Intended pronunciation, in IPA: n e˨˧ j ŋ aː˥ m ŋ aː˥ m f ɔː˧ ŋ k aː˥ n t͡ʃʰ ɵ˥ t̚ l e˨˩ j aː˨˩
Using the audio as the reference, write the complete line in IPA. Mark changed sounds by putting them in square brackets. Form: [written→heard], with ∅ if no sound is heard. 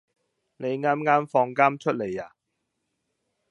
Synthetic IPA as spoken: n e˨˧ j ŋ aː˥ m ŋ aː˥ m f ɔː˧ ŋ k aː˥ [n→m] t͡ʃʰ ɵ˥ t̚ l e˨˩ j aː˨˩